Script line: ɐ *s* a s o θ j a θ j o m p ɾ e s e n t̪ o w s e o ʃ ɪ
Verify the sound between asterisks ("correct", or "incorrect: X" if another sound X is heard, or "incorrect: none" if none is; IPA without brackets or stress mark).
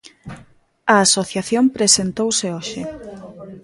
incorrect: none